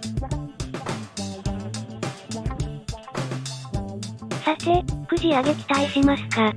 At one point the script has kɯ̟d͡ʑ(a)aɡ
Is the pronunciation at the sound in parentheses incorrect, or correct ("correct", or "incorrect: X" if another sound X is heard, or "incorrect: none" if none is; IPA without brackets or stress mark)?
incorrect: i